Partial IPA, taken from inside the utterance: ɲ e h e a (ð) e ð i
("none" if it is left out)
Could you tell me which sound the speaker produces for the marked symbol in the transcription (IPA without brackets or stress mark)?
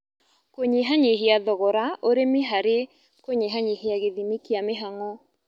ɣ